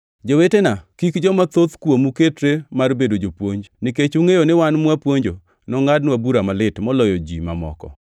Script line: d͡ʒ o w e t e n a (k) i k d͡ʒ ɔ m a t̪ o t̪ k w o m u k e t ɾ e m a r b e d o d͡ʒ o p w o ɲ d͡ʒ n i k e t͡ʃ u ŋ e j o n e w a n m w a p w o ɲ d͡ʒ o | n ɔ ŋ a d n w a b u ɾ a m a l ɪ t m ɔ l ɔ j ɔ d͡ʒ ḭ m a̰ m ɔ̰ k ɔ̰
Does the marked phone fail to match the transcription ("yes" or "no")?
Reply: no